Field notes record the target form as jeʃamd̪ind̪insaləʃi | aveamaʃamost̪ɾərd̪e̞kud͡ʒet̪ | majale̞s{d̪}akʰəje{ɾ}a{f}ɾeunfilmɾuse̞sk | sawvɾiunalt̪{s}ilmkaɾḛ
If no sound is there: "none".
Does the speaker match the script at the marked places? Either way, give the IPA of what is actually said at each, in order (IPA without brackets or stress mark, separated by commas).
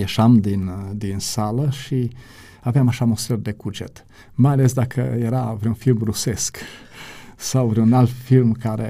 d̪, ɾ, v, f